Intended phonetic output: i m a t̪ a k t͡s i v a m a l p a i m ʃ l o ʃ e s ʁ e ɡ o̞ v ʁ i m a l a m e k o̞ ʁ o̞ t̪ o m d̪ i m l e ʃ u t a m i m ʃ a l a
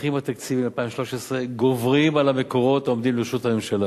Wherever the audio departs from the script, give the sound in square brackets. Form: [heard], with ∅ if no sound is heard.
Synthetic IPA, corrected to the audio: i m a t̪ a k t͡s i v [i] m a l p a i m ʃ l o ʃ e s ʁ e ɡ o̞ v ʁ i m a l a m e k o̞ ʁ o̞ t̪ o m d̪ i m l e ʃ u t a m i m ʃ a l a